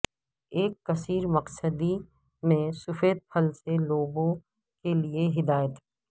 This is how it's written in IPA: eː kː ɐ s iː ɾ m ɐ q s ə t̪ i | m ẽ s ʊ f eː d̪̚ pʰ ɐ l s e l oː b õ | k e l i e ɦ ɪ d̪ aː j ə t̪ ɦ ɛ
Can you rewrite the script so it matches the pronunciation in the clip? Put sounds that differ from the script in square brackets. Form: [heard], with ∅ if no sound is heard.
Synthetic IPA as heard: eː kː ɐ s iː ɾ m ɐ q s ə [d̪] i | m ẽ s ʊ f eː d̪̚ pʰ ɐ l s e l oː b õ | k e l i e ɦ ɪ d̪ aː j ə t̪ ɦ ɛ

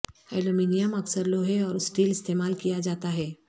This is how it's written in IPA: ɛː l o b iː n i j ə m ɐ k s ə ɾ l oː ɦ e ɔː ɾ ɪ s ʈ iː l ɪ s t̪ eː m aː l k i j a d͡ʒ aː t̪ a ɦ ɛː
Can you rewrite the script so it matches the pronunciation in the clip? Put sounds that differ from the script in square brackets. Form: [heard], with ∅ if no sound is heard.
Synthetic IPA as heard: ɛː l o [m] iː n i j ə m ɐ k s ə ɾ l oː ɦ e ɔː ɾ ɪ s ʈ iː l ɪ s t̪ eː m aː l k i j a d͡ʒ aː t̪ a ɦ ɛː

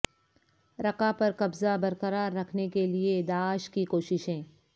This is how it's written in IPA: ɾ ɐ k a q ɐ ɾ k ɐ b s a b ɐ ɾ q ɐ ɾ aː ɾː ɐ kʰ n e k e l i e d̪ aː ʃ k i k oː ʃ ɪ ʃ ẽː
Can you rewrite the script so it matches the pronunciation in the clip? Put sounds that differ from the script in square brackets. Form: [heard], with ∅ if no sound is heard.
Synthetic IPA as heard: ɾ ɐ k a [p] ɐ ɾ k ɐ b [z] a b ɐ ɾ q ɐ ɾ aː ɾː ɐ kʰ n e k e l i e d̪ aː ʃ k i k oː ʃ ɪ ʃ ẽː

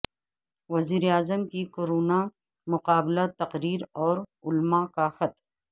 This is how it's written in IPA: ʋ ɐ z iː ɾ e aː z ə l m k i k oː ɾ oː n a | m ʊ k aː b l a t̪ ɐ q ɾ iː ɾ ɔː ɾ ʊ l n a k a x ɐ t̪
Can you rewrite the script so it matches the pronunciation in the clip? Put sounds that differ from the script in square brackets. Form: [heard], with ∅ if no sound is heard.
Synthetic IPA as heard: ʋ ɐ z iː ɾ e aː z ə [∅] m k i k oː ɾ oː n a | m ʊ [q] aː b l a t̪ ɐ q ɾ iː ɾ ɔː ɾ ʊ l [m] a k a x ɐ t̪

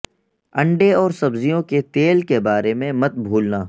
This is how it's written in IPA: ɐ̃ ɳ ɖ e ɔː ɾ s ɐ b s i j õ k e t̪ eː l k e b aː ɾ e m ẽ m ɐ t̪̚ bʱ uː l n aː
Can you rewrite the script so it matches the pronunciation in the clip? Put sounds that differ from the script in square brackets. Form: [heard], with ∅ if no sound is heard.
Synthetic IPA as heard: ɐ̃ ɳ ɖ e ɔː ɾ s ɐ b [z] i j õ k e t̪ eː l k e b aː ɾ e m ẽ m ɐ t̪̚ bʱ uː l n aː

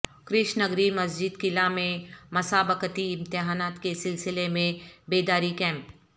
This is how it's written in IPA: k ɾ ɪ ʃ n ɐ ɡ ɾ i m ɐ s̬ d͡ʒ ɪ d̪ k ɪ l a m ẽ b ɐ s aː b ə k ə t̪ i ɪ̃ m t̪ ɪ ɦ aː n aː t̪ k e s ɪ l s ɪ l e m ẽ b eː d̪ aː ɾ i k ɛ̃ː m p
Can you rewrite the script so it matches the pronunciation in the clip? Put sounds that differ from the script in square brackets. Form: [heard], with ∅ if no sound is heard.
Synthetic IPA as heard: k ɾ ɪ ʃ n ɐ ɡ ɾ i m ɐ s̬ d͡ʒ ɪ d̪ k ɪ l a m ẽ [m] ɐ s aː b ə k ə t̪ i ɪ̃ m t̪ ɪ ɦ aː n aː t̪ k e s ɪ l s ɪ l e m ẽ b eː d̪ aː ɾ i k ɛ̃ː m p

